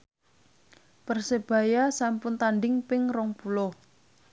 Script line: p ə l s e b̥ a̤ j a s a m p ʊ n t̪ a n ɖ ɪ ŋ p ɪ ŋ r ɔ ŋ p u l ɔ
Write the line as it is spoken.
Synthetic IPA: p ə r s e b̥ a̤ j a s a m p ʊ n t̪ a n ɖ ɪ ŋ p ɪ ŋ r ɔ ŋ p u l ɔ

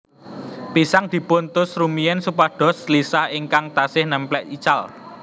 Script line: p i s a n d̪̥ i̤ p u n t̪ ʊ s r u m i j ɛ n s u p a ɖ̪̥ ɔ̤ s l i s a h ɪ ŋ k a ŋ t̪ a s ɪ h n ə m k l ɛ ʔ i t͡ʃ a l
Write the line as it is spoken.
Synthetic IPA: p i s a ŋ d̪̥ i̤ p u n t̪ ʊ s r u m i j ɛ n s u p a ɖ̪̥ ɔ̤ s l i s a h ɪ ŋ k a ŋ t̪ a s ɪ h n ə m p l ɛ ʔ i t͡ʃ a l

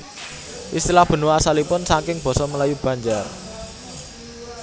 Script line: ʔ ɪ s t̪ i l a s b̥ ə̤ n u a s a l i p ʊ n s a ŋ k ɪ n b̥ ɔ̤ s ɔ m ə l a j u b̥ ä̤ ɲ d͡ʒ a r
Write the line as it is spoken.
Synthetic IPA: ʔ i s t̪ i l a h b̥ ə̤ n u a s a l i p ʊ n s a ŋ k ɪ ŋ b̥ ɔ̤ s ɔ m ə l a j u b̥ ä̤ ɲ d͡ʒ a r

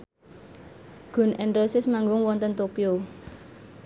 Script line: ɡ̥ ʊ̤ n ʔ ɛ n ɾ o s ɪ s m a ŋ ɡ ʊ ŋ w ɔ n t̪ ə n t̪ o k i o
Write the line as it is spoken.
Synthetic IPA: ɡ̥ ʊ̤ n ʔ ɛ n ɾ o s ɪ s m a ŋ ɡ ʊ ŋ w ɔ n t̪ ə n t̪ o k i o

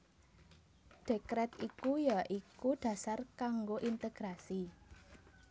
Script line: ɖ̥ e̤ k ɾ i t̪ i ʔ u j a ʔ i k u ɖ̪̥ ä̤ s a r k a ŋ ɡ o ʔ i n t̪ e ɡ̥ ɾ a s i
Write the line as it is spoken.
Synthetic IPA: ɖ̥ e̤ k ɾ ɛ t̪ i k u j a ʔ i k u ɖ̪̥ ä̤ s a r k a ŋ ɡ o ʔ i n t̪ e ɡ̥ ɾ a s i

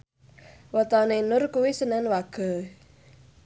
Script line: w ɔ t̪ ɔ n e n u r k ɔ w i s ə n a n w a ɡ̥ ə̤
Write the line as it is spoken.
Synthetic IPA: w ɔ t̪ ɔ n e n ʊ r k u w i s ə n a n w a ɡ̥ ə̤

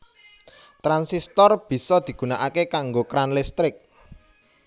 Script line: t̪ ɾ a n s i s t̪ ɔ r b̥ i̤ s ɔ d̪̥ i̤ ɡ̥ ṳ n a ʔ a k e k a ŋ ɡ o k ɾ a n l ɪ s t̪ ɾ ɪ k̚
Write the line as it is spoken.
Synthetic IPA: t̪ ɾ a n s i s t̪ ɔ r b̥ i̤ s ɔ d̪̥ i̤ ɡ̥ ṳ n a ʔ a k e k a ŋ ɡ o k ɾ a n l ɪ s t̪ ɾ ɪ k̚

